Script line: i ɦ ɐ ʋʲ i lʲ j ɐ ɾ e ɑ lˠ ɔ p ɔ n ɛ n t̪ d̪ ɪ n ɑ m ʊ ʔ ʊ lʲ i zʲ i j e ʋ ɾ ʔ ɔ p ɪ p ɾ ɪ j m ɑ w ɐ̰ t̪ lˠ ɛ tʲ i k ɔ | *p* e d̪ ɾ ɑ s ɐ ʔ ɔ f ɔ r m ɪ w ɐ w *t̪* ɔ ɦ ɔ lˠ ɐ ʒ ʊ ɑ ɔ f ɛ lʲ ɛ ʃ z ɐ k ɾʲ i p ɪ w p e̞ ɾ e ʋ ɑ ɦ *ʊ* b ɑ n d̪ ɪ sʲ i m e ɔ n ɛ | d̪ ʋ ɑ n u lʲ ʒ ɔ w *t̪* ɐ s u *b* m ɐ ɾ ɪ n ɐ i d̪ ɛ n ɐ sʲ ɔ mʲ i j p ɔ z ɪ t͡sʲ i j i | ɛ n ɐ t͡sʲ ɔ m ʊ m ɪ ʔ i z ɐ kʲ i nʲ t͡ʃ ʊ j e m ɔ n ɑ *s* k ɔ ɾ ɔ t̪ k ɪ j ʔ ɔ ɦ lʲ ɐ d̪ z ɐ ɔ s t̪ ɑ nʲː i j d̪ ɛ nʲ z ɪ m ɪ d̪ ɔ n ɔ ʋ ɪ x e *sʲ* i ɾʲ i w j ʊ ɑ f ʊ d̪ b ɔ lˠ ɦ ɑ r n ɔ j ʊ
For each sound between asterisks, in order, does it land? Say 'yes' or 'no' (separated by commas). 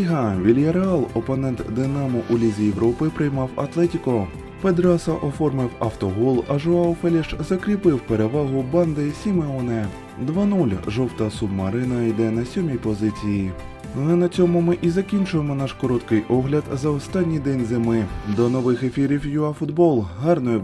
yes, yes, yes, yes, yes, no, no